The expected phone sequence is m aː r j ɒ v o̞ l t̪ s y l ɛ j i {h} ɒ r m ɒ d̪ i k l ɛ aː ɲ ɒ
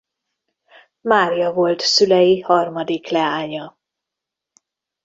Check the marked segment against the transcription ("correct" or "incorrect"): correct